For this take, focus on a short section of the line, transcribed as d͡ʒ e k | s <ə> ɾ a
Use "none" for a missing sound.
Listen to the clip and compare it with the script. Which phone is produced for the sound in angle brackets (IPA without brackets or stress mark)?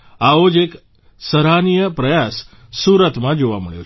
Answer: ə